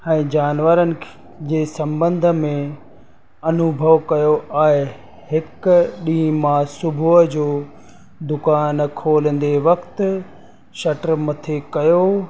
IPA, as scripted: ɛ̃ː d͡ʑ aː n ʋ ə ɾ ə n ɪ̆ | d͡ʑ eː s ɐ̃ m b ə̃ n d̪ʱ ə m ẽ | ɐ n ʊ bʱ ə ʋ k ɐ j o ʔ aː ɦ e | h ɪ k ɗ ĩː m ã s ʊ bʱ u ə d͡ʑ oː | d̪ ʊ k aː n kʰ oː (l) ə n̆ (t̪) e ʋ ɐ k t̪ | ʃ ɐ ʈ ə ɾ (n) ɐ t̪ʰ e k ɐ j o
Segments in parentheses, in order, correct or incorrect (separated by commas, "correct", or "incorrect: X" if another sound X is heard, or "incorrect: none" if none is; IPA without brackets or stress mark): correct, incorrect: d̪, incorrect: m